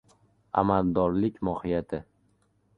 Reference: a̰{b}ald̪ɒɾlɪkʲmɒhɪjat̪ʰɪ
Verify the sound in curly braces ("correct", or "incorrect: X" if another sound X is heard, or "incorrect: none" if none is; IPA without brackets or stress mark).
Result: incorrect: m